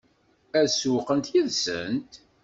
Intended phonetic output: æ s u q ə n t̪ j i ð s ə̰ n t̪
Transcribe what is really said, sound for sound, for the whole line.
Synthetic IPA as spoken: æ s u q ə n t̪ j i ð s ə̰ n t̪